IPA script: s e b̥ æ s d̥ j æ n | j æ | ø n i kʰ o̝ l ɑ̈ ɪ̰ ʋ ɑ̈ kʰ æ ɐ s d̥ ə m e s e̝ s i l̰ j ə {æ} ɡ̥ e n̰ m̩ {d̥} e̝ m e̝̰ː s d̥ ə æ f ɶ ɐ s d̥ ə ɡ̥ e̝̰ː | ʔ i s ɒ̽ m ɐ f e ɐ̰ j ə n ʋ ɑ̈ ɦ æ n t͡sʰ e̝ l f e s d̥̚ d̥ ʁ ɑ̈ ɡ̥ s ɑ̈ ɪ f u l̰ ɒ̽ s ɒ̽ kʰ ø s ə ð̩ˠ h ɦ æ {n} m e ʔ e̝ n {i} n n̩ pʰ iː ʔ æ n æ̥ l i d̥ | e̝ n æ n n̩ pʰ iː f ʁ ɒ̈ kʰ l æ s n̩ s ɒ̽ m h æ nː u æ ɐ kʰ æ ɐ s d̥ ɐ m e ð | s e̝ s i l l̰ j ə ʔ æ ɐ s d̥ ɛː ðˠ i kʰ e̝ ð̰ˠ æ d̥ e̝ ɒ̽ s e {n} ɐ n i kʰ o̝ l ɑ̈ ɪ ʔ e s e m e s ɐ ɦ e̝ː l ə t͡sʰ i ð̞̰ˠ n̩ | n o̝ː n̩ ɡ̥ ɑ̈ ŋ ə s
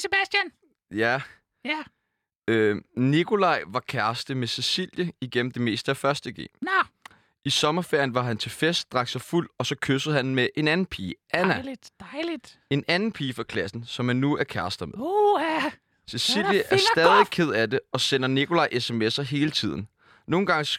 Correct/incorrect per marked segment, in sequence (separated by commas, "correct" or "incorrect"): incorrect, correct, correct, incorrect, correct